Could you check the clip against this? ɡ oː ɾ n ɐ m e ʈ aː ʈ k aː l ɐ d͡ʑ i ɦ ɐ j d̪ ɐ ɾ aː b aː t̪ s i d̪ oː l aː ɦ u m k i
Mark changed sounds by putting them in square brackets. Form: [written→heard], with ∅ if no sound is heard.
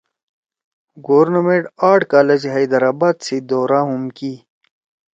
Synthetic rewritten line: ɡ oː ɾ n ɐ m e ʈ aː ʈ k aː l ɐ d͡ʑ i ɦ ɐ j d̪ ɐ ɾ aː b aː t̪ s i d̪ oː [l→ɾ] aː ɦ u m k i